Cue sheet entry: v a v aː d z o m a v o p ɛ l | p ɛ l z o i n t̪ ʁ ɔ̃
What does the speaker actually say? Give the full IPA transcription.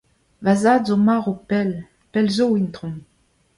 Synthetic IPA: v a z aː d z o m a ʁ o p ɛ l | p ɛ l z o i n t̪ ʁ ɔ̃